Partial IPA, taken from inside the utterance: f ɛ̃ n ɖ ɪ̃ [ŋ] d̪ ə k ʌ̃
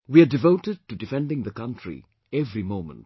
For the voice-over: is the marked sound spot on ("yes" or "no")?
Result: yes